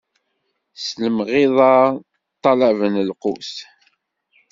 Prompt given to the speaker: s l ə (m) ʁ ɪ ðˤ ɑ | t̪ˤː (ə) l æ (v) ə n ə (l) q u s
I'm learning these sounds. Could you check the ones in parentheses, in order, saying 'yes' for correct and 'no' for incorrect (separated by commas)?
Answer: yes, no, yes, yes